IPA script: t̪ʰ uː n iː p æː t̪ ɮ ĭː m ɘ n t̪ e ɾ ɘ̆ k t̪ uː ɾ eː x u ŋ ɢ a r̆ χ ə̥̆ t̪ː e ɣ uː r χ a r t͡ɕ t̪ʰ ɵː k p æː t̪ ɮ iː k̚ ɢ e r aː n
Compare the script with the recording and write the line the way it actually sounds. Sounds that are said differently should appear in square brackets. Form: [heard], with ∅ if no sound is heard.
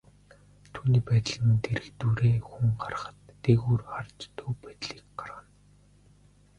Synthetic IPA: t̪ʰ uː n iː p æː t̪ ɮ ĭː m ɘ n t̪ e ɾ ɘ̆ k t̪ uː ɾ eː x u ŋ ɢ a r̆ χ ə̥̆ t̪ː e ɣ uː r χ a r t͡ɕ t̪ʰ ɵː [∅] p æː t̪ ɮ iː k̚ ɢ [a] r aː n